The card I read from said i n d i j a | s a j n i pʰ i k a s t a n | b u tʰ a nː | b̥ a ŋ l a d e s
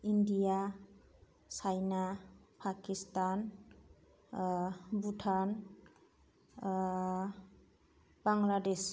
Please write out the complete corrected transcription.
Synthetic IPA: i n d i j a | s a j n a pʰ a k i s t a n | b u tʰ a n | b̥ a ŋ l a d e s